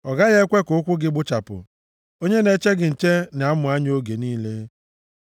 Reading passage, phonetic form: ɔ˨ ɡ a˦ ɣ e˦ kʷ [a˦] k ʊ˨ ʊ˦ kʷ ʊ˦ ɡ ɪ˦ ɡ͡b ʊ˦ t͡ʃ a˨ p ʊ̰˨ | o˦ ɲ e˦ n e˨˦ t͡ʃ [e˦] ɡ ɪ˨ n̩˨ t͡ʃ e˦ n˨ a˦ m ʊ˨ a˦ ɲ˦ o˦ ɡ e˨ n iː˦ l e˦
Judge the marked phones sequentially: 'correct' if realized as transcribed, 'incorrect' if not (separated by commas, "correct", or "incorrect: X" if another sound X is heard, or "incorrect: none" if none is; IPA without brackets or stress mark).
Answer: incorrect: e˦, correct